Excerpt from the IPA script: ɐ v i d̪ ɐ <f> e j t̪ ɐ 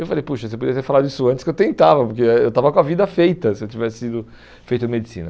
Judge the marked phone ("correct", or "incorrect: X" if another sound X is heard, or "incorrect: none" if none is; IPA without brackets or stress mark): correct